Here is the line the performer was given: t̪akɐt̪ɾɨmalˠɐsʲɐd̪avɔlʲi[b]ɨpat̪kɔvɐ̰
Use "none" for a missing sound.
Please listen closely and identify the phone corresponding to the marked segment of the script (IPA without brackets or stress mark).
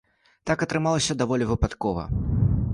v